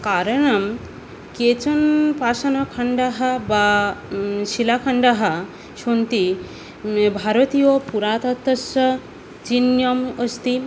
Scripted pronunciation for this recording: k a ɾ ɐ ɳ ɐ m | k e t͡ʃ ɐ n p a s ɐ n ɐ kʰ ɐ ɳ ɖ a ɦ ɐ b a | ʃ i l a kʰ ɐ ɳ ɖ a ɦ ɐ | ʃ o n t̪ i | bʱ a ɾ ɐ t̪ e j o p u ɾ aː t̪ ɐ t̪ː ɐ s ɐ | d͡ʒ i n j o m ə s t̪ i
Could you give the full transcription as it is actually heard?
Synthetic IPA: k a ɾ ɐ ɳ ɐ m | k e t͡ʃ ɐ n p a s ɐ n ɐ kʰ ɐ ɳ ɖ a ɦ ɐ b a | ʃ i l a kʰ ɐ ɳ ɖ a ɦ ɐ | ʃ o n t̪ i | bʱ a ɾ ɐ t̪ i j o p u ɾ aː t̪ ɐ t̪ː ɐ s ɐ | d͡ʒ i n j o m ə s t̪ i